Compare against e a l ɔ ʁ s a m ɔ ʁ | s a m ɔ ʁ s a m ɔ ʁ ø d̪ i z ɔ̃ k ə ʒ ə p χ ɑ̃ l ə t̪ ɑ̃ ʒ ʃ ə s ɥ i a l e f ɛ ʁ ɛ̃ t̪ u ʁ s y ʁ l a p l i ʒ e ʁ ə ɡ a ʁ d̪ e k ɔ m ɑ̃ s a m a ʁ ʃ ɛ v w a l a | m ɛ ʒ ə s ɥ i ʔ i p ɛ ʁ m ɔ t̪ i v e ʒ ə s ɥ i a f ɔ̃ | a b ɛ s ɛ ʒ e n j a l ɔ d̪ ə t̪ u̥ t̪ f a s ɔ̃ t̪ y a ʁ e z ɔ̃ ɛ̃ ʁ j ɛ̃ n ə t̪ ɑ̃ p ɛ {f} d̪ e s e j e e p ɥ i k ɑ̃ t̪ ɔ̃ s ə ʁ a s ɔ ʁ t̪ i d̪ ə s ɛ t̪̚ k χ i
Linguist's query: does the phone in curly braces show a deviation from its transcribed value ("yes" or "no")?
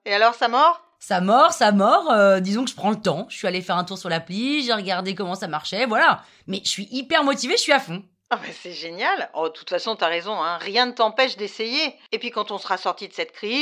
yes